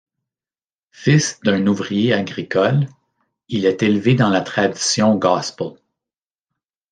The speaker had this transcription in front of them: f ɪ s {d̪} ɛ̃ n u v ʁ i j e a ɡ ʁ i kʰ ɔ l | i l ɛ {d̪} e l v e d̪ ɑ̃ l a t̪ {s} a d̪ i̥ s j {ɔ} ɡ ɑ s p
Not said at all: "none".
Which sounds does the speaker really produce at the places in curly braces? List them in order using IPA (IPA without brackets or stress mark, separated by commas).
d̪, t̪, χ, ɔ̃